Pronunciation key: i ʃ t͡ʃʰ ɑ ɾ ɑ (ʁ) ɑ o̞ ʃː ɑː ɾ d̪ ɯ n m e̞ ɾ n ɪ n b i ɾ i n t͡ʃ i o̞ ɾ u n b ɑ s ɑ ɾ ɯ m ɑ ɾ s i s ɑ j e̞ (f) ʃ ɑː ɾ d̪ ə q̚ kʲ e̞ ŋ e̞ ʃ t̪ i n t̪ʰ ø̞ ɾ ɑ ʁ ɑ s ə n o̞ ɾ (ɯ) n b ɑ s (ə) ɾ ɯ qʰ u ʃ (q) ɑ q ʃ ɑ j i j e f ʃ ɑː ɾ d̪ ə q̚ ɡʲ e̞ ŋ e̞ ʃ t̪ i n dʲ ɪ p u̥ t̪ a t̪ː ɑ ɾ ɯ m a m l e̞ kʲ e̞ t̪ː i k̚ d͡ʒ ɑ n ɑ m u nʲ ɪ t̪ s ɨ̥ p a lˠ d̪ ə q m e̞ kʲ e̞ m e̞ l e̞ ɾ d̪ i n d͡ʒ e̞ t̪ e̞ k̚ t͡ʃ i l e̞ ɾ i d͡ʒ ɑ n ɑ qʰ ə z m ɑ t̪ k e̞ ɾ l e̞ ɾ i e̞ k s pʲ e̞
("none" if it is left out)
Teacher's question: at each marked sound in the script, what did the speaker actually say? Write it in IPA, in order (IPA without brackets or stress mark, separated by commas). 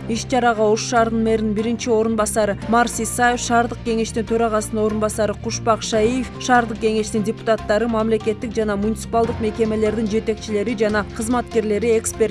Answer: ʁ, f, u, ɑ, p